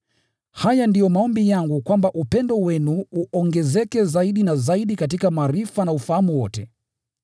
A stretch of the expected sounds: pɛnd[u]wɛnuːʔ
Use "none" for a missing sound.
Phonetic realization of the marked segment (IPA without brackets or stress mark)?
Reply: ɔ